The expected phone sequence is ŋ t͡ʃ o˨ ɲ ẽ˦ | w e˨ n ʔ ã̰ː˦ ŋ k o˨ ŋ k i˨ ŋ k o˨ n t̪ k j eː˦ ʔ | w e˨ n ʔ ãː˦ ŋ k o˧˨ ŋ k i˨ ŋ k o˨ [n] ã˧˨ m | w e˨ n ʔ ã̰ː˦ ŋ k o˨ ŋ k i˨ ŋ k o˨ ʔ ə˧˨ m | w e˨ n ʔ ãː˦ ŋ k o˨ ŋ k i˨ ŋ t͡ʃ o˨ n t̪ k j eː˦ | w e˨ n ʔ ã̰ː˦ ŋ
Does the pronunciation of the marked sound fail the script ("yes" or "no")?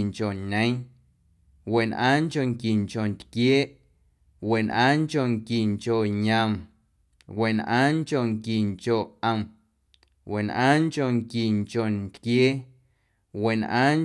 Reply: yes